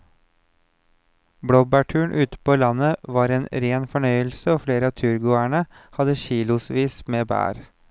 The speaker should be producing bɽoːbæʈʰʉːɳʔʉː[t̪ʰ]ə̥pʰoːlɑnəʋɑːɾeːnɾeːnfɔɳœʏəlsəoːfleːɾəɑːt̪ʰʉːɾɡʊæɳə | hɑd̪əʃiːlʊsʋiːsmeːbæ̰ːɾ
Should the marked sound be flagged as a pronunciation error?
yes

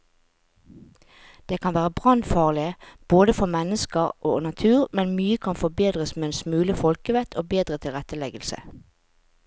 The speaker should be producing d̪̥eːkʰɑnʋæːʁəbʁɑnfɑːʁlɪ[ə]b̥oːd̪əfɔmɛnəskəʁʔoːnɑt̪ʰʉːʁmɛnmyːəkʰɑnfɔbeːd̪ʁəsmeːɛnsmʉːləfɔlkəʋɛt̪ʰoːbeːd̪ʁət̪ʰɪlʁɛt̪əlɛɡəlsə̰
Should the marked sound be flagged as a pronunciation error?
no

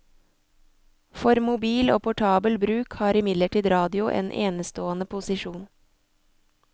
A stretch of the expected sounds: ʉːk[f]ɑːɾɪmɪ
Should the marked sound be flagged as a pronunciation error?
yes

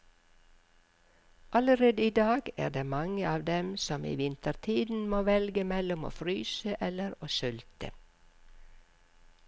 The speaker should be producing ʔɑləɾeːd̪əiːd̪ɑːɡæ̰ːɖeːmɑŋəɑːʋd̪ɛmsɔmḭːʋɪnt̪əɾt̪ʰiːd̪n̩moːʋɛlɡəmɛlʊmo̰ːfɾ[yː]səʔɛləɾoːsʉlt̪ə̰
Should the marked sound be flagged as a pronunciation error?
no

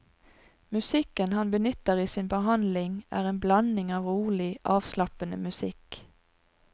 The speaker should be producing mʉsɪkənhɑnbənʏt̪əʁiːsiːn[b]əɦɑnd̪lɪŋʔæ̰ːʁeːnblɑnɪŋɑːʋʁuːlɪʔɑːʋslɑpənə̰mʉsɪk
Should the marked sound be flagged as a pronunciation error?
no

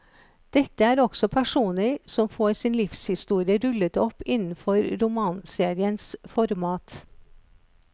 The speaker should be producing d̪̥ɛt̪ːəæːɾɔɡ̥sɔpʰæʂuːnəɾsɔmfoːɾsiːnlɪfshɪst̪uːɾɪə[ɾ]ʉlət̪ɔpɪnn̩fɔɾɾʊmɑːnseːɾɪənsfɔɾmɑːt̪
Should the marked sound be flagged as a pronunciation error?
no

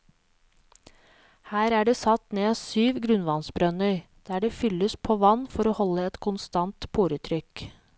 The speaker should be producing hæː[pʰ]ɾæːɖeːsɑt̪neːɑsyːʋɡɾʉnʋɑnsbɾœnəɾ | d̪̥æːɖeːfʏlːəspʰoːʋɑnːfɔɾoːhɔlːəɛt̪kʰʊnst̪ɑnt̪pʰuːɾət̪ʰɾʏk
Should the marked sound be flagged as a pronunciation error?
yes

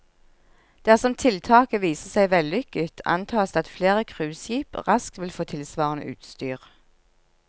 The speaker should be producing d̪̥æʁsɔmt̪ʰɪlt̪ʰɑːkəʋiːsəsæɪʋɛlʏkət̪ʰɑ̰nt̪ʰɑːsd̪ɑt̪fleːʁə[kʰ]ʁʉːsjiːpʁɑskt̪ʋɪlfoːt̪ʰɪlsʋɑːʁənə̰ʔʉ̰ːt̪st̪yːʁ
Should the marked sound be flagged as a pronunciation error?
no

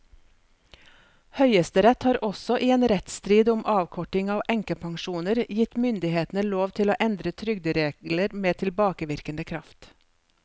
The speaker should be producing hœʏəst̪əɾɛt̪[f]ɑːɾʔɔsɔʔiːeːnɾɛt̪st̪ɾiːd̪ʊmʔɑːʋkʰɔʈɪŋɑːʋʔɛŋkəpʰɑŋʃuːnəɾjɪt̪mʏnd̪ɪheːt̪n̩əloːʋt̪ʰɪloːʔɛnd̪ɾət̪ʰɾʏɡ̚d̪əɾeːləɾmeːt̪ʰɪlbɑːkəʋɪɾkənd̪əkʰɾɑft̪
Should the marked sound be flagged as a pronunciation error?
yes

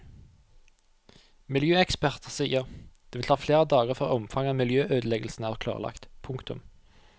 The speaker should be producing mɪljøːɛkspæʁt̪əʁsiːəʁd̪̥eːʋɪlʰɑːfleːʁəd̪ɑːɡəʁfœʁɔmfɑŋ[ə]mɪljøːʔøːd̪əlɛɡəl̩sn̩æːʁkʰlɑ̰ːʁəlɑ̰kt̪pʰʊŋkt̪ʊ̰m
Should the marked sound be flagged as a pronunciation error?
yes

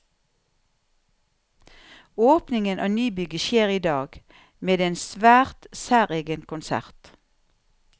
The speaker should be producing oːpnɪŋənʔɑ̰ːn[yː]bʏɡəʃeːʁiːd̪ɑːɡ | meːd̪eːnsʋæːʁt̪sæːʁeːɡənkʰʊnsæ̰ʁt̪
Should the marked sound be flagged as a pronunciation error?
no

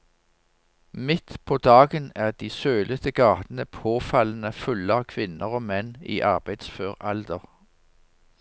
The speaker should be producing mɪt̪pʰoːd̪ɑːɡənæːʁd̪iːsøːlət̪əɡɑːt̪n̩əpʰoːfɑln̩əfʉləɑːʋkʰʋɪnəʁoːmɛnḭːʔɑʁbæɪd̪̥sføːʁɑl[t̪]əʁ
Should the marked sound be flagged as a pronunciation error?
yes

